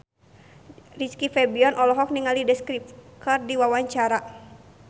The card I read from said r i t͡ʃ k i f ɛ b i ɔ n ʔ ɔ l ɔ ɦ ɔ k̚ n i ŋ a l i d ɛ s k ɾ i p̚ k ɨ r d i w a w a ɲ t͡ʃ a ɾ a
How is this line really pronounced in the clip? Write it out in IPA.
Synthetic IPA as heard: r i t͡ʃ k i f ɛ b i ɔ n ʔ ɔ l ɔ ɦ ɔ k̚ n i ŋ a l i d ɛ s k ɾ i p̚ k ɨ r d i w a w a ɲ t͡ʃ a ɾ a